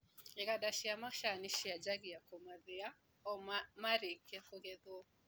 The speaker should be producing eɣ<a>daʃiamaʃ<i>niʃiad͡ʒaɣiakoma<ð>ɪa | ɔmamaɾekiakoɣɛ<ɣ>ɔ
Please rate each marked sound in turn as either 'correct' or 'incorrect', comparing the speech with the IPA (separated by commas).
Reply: correct, incorrect, correct, incorrect